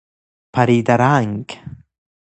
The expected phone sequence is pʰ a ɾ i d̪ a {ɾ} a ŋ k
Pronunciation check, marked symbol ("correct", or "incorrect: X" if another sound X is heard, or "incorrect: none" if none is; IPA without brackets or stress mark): correct